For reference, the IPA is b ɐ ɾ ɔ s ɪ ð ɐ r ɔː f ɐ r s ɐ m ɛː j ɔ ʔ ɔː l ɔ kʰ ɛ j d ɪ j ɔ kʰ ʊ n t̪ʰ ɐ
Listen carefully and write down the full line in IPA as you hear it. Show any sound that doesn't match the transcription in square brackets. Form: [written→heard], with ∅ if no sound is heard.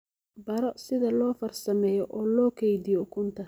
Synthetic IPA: b ɐ ɾ ɔ s ɪ ð ɐ [r→l] ɔː f ɐ r s ɐ m ɛː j ɔ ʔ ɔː l [ɔ→ɔː] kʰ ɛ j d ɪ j ɔ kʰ ʊ n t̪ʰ ɐ